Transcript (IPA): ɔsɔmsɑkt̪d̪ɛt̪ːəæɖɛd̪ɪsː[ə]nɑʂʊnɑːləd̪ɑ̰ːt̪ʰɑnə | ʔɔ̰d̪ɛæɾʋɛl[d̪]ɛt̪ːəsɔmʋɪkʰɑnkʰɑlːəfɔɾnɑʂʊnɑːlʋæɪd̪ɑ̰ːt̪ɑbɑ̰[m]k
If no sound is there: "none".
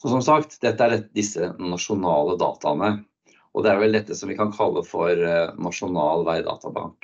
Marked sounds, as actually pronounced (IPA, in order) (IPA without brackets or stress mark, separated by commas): ə, d̪, ŋ